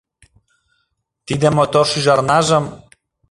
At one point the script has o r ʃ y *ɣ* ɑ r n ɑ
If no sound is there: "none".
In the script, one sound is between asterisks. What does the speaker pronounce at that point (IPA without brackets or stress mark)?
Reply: ʒ